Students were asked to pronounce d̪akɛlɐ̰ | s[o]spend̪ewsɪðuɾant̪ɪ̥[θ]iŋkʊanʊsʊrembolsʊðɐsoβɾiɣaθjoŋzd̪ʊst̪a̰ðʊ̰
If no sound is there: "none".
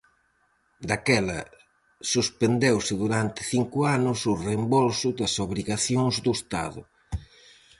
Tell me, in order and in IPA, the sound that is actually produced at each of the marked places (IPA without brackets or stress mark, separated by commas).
u, θ